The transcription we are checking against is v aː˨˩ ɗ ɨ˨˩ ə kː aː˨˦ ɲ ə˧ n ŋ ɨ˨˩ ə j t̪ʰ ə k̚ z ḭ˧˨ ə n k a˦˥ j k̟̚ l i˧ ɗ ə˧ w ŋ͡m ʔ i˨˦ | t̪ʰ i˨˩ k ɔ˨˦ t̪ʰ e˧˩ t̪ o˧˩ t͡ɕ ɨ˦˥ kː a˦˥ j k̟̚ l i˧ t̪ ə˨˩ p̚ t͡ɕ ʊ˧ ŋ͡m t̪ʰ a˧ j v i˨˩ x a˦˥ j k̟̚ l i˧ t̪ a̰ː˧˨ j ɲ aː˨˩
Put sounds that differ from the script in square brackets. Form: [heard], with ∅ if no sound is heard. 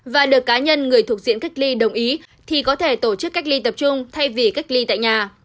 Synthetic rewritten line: v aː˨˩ ɗ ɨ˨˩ ə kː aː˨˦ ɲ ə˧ n ŋ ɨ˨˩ ə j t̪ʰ ə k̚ z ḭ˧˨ ə n k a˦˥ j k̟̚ l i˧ ɗ [ə˨˩] w ŋ͡m ʔ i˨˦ | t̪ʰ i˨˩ k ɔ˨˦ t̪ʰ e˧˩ t̪ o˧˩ t͡ɕ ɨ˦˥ kː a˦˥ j k̟̚ l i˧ t̪ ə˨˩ p̚ t͡ɕ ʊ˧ ŋ͡m t̪ʰ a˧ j v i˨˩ [k] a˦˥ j k̟̚ l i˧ t̪ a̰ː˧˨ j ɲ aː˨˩